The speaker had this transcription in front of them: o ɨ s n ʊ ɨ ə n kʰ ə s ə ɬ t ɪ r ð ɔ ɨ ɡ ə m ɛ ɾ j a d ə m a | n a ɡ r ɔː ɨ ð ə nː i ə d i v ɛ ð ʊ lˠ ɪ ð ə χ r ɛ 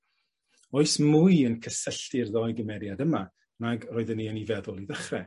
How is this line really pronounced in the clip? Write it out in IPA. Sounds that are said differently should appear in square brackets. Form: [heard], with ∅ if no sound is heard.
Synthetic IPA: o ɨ s [m] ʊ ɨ ə n kʰ ə s ə ɬ t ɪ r ð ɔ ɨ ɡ ə m ɛ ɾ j a d ə m a | n a ɡ r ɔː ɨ ð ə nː i ə [n] i v ɛ ð ʊ lˠ [i] ð ə χ r ɛ